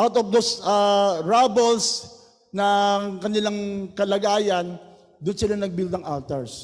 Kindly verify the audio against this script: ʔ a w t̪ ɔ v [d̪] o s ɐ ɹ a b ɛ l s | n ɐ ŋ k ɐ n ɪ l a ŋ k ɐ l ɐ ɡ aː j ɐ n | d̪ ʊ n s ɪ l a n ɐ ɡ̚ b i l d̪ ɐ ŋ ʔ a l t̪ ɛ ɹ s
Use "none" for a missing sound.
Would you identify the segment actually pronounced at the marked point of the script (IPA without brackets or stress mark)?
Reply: d̪